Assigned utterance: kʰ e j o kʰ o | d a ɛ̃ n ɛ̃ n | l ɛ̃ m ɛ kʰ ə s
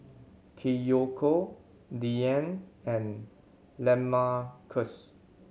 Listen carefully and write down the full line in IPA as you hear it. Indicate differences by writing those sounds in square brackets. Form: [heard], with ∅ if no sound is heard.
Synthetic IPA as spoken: kʰ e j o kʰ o | d [i] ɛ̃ n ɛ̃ n | l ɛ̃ m [a] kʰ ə s